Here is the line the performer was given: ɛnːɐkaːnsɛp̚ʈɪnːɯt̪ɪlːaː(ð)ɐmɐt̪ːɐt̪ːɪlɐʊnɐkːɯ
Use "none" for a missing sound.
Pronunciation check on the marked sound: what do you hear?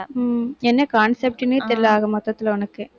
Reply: ɣ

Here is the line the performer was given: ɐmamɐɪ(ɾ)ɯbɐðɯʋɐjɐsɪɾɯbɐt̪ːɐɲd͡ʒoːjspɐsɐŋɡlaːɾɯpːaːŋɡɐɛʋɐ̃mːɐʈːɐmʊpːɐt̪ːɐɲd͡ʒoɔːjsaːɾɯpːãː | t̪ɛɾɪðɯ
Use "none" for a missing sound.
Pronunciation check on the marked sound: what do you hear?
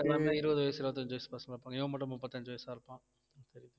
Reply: ɾ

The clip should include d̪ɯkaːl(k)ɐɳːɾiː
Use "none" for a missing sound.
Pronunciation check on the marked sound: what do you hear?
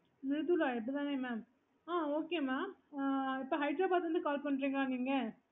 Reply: p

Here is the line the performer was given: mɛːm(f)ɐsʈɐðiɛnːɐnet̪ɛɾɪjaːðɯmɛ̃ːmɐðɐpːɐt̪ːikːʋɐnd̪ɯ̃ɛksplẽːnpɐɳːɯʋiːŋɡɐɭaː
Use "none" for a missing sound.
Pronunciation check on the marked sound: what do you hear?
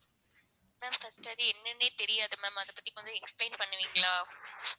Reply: f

